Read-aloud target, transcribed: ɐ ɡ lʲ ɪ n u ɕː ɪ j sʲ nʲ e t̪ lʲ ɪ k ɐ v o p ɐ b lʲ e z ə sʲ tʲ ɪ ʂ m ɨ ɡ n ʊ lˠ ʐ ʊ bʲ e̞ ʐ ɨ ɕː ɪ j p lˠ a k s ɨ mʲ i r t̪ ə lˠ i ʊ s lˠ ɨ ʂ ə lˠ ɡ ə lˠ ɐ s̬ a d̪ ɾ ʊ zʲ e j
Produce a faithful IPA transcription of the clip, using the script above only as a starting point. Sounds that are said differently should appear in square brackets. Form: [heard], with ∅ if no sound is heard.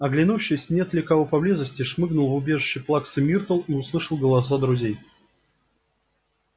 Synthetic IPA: ɐ ɡ lʲ ɪ n u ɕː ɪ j sʲ nʲ e t̪ lʲ ɪ k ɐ v o p ɐ b lʲ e z ə sʲ tʲ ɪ ʂ m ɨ ɡ n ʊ lˠ [v] ʊ bʲ e̞ ʐ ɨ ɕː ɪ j p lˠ a k s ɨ mʲ i r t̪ ə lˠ i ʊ s lˠ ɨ ʂ ə lˠ ɡ ə lˠ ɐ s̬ a d̪ ɾ ʊ zʲ e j

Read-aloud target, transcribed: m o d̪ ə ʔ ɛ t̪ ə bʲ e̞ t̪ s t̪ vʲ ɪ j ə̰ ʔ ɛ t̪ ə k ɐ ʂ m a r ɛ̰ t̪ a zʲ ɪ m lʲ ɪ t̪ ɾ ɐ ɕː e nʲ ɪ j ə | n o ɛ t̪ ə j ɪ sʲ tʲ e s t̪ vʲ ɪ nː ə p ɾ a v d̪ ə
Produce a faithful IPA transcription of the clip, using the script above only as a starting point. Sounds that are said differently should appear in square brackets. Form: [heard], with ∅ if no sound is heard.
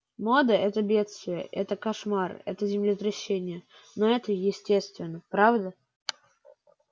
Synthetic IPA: m o d̪ ə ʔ ɛ t̪ ə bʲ e̞ t̪ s t̪ vʲ ɪ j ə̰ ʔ ɛ t̪ ə k ɐ ʂ m a r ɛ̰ t̪ [ə] zʲ ɪ m lʲ ɪ t̪ ɾ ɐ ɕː e nʲ ɪ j ə | n o ɛ t̪ ə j ɪ sʲ tʲ e s t̪ vʲ ɪ nː ə p ɾ a v d̪ ə

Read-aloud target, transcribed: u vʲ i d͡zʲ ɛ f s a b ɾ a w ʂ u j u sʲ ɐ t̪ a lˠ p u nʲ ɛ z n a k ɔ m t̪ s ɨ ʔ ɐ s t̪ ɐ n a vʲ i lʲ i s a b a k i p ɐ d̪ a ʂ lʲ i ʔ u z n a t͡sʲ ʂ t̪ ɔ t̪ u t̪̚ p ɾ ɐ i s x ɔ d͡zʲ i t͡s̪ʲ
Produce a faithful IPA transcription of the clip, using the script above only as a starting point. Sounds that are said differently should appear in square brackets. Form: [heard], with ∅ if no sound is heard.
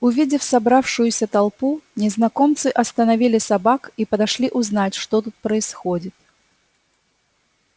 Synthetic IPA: u vʲ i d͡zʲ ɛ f s a b ɾ a w ʂ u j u sʲ ɐ t̪ a lˠ p u nʲ ɛ z n a k ɔ m t̪ s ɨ ʔ ɐ s t̪ ɐ n a vʲ i lʲ i s a b a k i p ɐ d̪ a ʂ lʲ i ʔ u z n a t͡sʲ ʂ t̪ ɔ t̪ u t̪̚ p ɾ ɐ i s x ɔ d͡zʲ i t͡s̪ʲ

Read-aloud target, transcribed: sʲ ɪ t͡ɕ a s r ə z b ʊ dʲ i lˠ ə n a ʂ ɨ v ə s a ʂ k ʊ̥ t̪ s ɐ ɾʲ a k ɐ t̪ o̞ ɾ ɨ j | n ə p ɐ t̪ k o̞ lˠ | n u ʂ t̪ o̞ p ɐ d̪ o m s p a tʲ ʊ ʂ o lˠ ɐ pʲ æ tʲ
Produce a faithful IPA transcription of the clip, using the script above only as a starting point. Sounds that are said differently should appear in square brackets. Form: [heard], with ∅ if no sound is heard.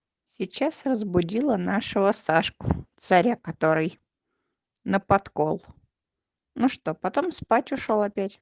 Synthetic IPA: sʲ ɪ t͡ɕ a s r ə z b ʊ dʲ i lˠ ə n a ʂ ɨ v ə s a ʂ k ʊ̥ t̪ s ɐ ɾʲ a k ɐ t̪ o̞ ɾ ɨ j | n ə p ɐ t̪ k o̞ lˠ | n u ʂ t̪ o̞ p ɐ [t̪] o m s p a tʲ ʊ ʂ o lˠ ɐ pʲ æ tʲ

